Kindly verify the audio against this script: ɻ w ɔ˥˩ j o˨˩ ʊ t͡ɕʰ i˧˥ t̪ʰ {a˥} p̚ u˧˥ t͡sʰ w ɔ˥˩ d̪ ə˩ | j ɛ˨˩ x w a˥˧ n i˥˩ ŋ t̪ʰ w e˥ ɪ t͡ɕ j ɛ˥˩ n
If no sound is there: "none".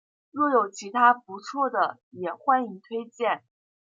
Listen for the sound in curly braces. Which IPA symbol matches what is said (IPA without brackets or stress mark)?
a˥